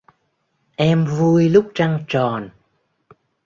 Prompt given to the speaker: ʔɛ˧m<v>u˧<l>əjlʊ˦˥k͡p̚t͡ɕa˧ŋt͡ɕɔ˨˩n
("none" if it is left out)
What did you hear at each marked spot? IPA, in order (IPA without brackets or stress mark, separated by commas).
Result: v, none